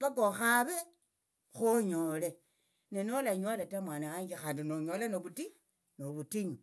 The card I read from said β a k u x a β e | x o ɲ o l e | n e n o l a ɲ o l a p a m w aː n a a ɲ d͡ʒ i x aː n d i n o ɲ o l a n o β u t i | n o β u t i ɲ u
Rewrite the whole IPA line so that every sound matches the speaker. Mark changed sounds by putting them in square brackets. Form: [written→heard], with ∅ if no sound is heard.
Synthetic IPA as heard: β a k [u→o] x a β e | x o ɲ o l e | n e n o l a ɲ o l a [p→t] a m w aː n a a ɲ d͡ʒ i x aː n d i n o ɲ o l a n o β u t i | n o β u t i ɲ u